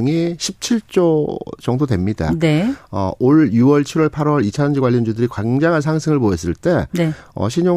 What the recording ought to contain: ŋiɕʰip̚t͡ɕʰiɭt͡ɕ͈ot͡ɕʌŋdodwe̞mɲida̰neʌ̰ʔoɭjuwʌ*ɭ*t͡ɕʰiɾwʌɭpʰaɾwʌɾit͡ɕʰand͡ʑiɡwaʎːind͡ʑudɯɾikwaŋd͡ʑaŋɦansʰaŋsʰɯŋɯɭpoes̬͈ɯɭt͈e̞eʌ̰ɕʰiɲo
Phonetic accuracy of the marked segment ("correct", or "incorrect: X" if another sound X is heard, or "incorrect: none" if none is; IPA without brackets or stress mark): correct